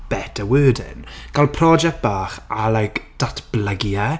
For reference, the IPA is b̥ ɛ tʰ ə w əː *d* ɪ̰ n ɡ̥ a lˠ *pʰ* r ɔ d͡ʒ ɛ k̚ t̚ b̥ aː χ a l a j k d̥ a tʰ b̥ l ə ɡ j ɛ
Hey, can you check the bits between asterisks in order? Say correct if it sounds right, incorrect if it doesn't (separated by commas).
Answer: correct, correct